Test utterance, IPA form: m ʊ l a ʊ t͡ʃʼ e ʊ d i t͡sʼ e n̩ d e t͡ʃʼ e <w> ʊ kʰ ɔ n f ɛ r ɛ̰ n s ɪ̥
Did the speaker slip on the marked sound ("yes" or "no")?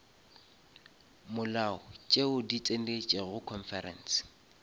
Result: yes